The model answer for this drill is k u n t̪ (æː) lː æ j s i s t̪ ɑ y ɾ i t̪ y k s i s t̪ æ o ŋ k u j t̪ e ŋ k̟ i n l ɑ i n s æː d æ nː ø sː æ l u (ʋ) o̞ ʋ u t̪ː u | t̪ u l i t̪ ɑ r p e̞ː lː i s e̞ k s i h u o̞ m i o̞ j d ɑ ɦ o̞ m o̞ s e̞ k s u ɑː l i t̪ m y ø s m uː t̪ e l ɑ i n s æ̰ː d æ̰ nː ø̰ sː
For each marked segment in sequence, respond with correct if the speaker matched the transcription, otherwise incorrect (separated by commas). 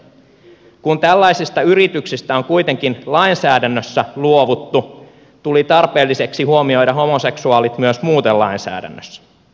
incorrect, incorrect